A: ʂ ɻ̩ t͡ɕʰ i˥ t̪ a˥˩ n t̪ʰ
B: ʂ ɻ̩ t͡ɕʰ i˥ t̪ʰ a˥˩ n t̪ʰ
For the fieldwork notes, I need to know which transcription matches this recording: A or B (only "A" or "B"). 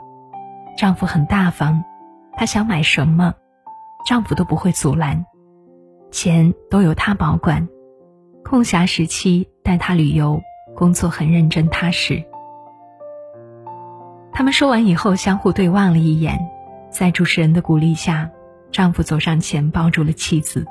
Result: A